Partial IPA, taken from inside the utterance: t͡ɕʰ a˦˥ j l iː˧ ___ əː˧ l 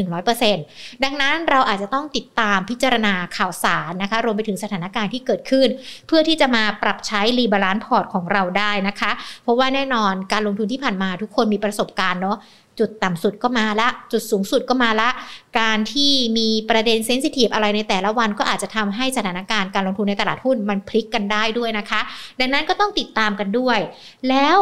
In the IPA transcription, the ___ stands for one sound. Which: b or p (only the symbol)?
b